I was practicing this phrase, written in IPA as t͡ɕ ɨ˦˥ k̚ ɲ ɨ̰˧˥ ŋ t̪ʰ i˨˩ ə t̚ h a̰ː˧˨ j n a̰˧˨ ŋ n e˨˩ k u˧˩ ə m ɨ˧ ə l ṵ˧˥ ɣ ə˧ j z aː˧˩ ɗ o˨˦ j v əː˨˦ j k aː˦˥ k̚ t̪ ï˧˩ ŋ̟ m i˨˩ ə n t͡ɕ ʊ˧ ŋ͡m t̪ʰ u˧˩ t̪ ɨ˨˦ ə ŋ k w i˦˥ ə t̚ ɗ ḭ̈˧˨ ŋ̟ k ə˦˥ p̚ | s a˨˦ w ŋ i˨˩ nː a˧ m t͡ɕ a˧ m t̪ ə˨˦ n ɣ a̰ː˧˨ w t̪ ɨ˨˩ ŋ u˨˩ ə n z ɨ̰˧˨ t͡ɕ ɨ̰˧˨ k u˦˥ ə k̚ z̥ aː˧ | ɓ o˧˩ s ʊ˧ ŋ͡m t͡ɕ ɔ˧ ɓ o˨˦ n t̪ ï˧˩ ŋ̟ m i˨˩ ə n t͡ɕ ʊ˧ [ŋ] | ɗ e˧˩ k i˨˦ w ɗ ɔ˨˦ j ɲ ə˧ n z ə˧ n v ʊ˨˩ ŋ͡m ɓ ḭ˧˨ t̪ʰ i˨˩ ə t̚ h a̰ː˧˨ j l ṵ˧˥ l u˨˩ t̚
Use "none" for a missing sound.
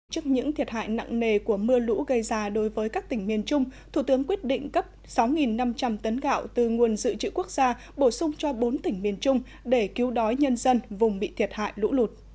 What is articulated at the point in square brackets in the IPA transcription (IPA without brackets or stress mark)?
ŋ͡m